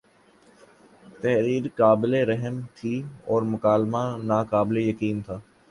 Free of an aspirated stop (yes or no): no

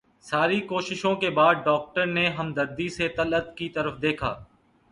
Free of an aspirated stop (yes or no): no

